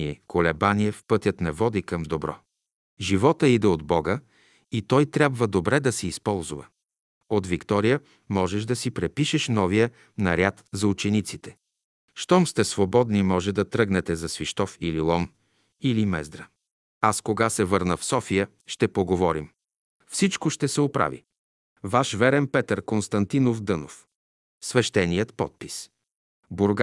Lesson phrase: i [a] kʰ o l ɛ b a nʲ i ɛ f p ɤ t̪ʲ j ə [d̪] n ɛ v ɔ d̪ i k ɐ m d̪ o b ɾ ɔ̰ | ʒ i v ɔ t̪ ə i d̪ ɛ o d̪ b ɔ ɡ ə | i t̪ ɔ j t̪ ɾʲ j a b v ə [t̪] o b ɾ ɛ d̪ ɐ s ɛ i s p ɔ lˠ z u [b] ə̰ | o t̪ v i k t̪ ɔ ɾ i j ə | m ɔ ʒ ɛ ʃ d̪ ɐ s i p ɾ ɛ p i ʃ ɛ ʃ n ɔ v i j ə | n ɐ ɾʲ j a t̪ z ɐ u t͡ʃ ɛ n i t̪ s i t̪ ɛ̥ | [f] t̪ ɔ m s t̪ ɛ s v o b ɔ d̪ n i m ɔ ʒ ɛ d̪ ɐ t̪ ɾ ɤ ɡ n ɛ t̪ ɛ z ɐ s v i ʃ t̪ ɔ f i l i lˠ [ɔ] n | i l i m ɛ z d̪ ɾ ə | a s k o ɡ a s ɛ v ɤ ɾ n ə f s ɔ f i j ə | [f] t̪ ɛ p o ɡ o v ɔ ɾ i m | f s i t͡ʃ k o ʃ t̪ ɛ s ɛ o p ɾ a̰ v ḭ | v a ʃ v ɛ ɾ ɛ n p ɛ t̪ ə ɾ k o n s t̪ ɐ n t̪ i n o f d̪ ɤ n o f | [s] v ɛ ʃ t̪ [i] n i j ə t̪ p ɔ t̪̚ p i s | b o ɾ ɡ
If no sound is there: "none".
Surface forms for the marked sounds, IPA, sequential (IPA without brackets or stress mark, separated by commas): ɛ, t̪, d̪, v, ʃ, ɔ, ʃ, s, ɛ